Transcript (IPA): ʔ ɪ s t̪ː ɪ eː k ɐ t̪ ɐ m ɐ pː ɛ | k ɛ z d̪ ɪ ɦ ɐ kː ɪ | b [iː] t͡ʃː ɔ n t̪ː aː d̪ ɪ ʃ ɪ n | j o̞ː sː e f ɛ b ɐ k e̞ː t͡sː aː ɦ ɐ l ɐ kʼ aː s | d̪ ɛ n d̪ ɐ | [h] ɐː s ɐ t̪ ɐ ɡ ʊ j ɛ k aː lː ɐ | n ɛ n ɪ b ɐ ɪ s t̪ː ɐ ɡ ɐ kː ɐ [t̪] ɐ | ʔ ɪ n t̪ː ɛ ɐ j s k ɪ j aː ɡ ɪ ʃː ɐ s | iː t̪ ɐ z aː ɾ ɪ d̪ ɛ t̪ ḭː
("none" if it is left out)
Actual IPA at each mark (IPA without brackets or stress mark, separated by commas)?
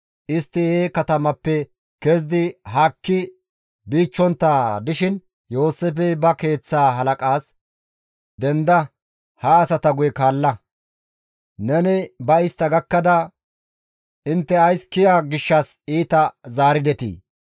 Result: iː, h, d̪